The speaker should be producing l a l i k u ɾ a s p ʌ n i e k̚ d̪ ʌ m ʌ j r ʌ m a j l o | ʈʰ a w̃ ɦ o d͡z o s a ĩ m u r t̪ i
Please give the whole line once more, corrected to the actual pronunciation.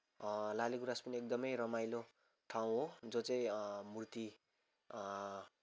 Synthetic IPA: l a l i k u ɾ a s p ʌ n i e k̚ d̪ ʌ m ʌ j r ʌ m a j l o | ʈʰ a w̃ ɦ o d͡z o t͡s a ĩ m u r t̪ i